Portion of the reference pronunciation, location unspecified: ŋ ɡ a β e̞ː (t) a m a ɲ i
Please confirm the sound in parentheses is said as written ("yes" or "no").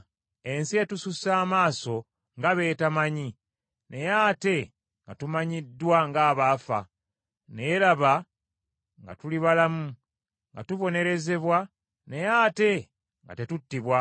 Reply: yes